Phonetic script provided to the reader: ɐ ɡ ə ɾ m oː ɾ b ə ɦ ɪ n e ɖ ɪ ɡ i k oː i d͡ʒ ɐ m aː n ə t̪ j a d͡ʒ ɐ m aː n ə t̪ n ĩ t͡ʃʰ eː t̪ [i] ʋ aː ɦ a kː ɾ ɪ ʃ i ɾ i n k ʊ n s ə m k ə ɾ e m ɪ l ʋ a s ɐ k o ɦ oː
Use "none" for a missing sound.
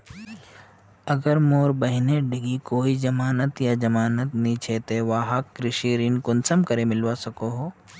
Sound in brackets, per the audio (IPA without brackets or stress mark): e